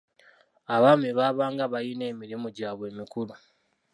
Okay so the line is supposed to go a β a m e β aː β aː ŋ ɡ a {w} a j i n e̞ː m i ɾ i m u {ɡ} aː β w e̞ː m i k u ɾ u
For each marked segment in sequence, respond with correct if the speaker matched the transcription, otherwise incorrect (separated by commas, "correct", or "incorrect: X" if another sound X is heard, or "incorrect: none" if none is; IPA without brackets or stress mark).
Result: incorrect: β, incorrect: ɟ